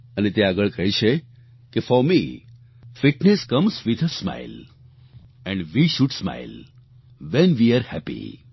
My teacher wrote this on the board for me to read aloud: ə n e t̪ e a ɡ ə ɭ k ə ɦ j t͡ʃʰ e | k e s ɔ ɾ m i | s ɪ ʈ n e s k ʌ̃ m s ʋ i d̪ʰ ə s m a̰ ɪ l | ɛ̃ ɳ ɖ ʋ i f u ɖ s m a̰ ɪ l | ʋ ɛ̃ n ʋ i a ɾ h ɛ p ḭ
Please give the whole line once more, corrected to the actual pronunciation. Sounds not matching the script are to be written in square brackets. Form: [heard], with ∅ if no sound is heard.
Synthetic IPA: ə n e t̪ e a ɡ ə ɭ k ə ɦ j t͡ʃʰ e | k e [f] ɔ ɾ m i | [f] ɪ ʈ n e s k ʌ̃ m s ʋ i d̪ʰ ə s m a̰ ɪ l | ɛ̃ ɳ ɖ ʋ i [ʃ] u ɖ s m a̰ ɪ l | ʋ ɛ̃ n ʋ i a ɾ h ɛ p ḭ